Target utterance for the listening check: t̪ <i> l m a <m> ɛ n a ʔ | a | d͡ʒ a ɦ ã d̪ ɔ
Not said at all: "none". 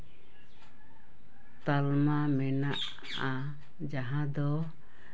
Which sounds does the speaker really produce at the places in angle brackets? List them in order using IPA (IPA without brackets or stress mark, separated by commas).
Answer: a, m